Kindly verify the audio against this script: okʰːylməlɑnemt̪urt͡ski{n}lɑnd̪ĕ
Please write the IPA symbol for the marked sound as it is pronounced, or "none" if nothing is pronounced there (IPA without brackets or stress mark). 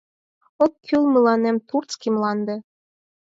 m